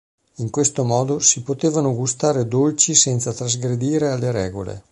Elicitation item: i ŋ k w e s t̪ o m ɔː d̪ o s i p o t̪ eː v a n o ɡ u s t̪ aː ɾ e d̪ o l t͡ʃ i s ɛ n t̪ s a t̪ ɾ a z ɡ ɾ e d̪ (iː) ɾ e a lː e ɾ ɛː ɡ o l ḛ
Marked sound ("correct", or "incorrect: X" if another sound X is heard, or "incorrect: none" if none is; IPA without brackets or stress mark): correct